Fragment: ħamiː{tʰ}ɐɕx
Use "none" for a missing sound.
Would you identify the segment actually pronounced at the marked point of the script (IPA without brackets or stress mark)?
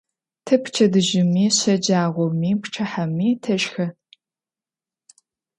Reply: tʰ